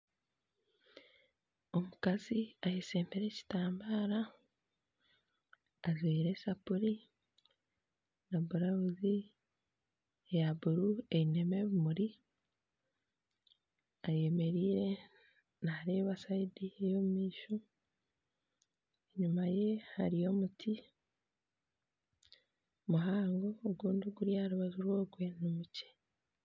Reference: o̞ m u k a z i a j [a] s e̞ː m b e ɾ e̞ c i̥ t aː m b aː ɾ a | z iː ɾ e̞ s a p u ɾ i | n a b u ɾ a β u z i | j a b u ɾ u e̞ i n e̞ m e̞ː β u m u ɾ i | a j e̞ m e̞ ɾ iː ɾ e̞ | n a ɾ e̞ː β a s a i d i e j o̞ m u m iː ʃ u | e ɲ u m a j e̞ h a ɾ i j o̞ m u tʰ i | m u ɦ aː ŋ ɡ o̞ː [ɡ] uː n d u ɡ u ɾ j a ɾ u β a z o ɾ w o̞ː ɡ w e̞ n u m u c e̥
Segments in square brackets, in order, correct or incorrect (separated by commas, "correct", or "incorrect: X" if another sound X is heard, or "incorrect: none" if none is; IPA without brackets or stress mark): incorrect: e, correct